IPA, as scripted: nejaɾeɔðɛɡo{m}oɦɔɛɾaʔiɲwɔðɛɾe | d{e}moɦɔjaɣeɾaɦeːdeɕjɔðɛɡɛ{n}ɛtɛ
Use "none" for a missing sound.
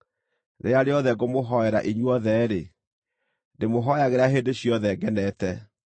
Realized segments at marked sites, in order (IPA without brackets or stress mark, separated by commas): m, e, n